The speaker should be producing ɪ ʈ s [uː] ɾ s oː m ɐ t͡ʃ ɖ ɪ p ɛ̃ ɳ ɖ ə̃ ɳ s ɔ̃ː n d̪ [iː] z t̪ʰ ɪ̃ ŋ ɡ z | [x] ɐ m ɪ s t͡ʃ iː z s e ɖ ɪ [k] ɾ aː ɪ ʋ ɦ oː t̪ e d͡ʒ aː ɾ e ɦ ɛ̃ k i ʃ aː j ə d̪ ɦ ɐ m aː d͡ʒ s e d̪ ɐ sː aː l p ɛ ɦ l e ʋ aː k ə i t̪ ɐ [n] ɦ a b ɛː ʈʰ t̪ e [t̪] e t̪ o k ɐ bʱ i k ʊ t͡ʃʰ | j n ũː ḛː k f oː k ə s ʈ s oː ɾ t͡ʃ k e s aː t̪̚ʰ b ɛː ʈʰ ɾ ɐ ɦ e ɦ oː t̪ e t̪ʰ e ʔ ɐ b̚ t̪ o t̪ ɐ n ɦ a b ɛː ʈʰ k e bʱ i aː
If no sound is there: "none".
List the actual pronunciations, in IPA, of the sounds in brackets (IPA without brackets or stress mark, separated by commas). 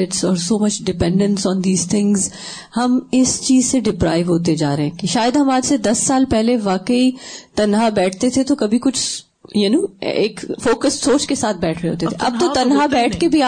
ɔː, iː, h, p, n, t̪ʰ